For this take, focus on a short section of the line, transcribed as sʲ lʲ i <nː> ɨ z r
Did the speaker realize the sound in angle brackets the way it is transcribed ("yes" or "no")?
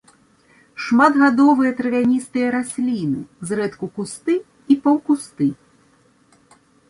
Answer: no